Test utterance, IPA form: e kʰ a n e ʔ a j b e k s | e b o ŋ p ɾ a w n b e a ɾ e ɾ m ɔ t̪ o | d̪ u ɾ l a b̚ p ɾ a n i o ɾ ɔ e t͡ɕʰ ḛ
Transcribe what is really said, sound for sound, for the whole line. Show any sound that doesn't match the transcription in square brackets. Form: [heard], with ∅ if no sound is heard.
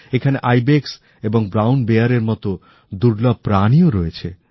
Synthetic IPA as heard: e kʰ a n e ʔ a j b e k s | e b o ŋ [b] ɾ a w n b e a ɾ e ɾ m ɔ t̪ o | d̪ u ɾ l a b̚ p ɾ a n i o ɾ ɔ e t͡ɕʰ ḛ